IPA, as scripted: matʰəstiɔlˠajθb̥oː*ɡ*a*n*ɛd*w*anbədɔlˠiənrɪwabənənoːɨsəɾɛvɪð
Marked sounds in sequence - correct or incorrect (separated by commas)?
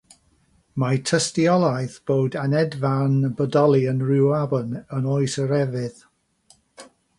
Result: incorrect, correct, incorrect